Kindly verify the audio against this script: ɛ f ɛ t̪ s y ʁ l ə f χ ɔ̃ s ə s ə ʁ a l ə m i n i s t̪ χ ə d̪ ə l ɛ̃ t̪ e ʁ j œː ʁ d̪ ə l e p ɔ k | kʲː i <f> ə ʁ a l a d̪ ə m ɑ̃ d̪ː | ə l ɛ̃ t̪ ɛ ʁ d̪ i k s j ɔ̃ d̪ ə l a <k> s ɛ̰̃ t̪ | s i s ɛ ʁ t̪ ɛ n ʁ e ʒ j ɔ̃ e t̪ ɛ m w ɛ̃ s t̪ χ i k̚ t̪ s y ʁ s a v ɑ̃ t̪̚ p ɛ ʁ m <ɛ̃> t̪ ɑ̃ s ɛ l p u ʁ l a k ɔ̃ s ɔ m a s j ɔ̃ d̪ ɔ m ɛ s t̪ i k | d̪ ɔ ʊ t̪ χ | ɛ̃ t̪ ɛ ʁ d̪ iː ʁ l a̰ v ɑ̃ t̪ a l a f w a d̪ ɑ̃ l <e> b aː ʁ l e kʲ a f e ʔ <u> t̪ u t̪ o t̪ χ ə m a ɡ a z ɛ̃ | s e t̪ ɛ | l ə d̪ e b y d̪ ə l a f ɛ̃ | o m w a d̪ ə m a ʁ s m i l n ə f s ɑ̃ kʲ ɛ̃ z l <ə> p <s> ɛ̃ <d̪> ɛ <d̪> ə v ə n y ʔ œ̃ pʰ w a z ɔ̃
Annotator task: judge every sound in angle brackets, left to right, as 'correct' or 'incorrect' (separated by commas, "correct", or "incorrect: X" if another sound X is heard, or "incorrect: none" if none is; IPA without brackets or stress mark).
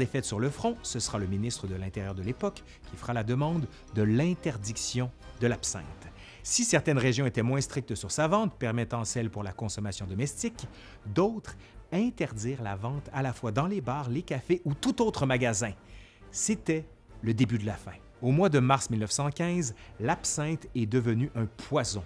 correct, incorrect: p, incorrect: ɛ, correct, correct, incorrect: a, correct, incorrect: t̪, correct